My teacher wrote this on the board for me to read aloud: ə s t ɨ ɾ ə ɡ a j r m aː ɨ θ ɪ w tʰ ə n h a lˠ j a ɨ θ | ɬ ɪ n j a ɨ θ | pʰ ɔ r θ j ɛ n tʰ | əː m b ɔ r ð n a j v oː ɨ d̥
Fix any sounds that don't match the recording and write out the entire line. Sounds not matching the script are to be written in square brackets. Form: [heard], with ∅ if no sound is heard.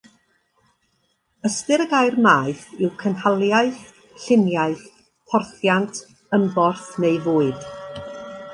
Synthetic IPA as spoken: ə s t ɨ ɾ ə ɡ a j r m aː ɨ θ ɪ w [kʰ] ə n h a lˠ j a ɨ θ | ɬ ɪ n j a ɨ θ | pʰ ɔ r θ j [a] n tʰ | [ə] m b ɔ r [θ] n [e] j v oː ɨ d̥